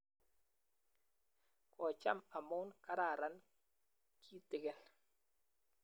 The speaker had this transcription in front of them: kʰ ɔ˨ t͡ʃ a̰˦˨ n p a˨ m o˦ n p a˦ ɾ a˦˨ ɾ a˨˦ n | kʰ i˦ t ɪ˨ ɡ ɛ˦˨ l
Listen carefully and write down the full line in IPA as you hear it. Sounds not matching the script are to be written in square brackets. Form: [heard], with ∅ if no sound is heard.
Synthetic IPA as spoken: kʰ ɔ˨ t͡ʃ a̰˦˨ [m] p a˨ m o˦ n [k] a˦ ɾ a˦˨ ɾ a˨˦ n | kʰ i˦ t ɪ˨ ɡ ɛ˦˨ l